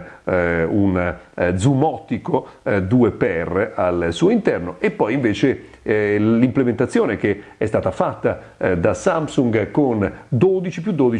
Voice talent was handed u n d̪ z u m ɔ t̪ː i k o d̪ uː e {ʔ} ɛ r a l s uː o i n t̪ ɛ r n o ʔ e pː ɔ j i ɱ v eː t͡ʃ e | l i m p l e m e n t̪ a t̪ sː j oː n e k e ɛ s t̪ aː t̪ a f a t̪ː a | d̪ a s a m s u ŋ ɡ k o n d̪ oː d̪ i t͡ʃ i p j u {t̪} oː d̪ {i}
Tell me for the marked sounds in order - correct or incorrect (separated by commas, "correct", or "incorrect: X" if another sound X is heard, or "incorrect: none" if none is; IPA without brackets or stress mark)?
incorrect: p, incorrect: d̪, correct